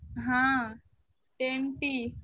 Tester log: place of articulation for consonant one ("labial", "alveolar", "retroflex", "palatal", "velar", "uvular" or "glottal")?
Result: glottal